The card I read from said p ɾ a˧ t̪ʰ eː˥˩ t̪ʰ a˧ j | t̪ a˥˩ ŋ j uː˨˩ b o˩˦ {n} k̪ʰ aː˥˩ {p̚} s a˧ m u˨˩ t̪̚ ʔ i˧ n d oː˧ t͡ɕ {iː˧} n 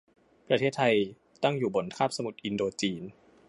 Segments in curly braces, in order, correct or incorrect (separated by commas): correct, correct, correct